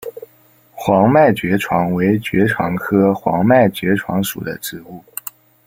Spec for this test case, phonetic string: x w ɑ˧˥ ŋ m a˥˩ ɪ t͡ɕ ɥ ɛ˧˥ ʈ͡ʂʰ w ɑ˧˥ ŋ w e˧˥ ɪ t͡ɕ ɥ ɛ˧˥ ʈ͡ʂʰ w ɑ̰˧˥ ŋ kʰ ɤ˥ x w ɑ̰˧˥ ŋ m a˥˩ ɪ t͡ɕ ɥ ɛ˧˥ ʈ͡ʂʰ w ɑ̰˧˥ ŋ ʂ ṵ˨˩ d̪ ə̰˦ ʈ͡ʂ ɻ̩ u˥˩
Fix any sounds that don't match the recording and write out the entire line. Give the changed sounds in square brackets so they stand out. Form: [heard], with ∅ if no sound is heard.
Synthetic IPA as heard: x w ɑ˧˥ ŋ m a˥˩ ɪ t͡ɕ ɥ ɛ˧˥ ʈ͡ʂʰ w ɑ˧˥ ŋ w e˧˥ ɪ t͡ɕ ɥ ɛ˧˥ ʈ͡ʂʰ w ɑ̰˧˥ ŋ kʰ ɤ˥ x w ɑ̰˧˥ ŋ m a˥˩ ɪ t͡ɕ ɥ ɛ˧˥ ʈ͡ʂʰ w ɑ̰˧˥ ŋ ʂ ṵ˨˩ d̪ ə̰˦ ʈ͡ʂ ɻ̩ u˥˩